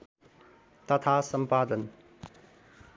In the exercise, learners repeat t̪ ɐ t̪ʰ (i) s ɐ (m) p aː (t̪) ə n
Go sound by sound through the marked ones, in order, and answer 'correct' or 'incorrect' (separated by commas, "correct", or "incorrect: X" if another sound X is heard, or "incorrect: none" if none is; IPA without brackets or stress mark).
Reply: incorrect: a, correct, incorrect: d̪